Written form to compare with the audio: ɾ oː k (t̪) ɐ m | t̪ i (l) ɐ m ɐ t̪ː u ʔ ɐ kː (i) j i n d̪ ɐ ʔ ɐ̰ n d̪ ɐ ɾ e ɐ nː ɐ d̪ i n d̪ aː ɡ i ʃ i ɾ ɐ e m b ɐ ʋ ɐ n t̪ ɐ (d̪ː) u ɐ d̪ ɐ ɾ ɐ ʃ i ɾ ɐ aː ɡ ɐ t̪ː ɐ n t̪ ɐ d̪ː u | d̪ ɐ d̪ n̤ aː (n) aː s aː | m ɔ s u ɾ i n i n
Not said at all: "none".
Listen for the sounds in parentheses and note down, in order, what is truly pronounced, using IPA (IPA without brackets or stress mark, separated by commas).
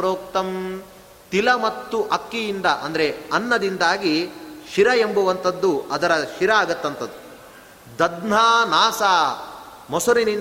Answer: t̪, l, i, d̪ː, n